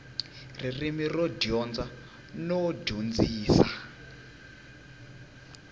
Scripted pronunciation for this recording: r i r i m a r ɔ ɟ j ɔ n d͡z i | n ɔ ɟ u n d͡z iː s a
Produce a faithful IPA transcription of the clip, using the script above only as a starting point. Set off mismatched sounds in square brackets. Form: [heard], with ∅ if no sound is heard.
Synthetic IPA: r i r i m [i] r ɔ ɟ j ɔ n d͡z [a] | n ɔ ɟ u n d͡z iː s a